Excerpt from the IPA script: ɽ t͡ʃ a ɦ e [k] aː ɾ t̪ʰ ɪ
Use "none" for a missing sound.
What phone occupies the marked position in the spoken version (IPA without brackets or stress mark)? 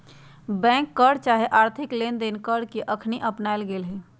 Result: ʔ